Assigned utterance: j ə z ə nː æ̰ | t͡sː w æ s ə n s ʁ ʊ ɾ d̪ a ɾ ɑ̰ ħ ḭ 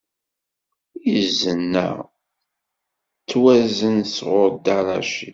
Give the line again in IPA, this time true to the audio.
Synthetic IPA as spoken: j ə z ə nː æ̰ | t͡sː w æ z ə n s ʁ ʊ ɾ d̪ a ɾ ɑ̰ ʃ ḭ